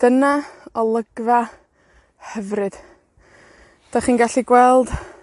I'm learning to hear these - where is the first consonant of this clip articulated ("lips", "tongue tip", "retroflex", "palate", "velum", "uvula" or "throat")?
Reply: tongue tip